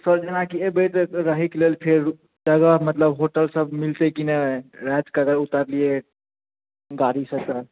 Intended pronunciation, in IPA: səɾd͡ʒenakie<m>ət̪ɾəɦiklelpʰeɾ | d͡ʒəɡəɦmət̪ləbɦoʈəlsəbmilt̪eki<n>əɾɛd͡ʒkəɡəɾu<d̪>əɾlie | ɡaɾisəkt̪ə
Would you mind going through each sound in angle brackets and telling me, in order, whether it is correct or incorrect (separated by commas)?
incorrect, correct, incorrect